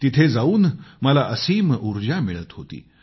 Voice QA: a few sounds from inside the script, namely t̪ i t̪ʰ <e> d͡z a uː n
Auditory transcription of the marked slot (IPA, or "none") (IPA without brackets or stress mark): e